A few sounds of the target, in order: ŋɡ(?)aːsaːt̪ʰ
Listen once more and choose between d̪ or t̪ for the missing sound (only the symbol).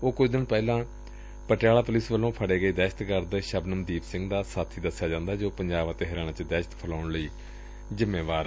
d̪